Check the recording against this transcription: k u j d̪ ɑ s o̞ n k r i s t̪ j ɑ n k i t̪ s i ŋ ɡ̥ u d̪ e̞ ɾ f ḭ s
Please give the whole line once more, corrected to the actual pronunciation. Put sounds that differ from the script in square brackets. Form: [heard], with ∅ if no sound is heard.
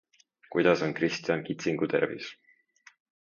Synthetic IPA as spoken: k u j d̪ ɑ s o̞ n k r i s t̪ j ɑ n k i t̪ s i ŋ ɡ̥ u [t̪] e̞ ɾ [v] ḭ s